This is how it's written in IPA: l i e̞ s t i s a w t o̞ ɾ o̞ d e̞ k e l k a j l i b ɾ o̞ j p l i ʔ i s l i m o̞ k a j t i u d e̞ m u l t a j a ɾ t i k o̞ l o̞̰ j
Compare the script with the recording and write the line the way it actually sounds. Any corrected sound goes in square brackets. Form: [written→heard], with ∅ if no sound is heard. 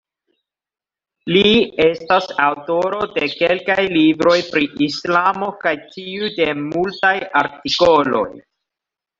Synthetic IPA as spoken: l i e̞ s t [i→a] s a w t o̞ ɾ o̞ d e̞ k e l k a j l i b ɾ o̞ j p [l→ɾ] i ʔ i s l [i→a] m o̞ k a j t i u d e̞ m u l t a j a ɾ t i k o̞ l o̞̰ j